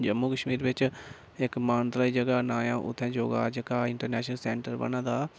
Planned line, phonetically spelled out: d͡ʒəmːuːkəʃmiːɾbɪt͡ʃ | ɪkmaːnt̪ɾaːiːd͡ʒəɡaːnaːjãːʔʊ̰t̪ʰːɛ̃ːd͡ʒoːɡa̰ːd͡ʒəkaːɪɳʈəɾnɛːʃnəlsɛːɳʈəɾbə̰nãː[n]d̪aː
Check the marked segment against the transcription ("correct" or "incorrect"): incorrect